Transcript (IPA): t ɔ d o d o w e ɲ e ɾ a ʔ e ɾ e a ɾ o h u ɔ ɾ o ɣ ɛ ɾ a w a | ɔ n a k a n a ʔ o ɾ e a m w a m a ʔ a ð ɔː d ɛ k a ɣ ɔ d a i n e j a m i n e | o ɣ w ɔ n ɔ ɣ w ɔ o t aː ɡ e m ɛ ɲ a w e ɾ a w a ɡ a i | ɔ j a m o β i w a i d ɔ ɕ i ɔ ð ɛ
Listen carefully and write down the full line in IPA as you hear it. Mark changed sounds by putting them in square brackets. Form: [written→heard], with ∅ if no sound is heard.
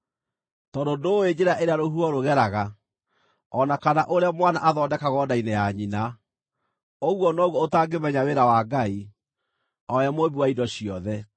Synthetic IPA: t ɔ d o d o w e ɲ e ɾ a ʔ e ɾ e a ɾ o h u ɔ ɾ o ɣ ɛ ɾ a [w→ɣ] a | ɔ n a k a n a ʔ o ɾ e a m w a [m→n] a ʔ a ð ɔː d ɛ k a ɣ ɔ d a i n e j a [m→ɲ] i n [e→a] | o ɣ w ɔ n ɔ ɣ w ɔ o t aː ɡ e m ɛ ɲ a w e ɾ a w a ɡ a i | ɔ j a m o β i w a i d ɔ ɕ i ɔ ð ɛ